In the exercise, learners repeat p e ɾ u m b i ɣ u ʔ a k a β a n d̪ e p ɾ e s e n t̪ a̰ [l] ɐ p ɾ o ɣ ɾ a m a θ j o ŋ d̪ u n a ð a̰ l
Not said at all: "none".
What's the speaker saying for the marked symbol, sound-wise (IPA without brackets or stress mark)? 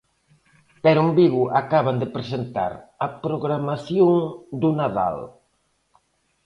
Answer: ɾ